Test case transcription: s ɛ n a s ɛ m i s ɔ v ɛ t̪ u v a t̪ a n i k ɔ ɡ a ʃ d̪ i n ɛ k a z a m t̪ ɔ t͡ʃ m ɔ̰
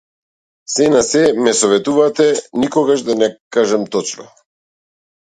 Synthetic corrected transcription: s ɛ n a s ɛ m ɛ s ɔ v ɛ t̪ u v a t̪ ɛ n i k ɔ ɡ a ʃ d̪ a n ɛ k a ʒ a m t̪ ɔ t͡ʃ n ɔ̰